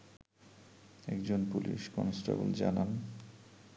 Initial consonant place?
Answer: velar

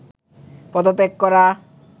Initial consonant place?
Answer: labial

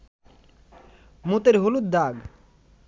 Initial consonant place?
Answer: labial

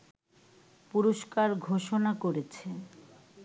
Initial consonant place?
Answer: labial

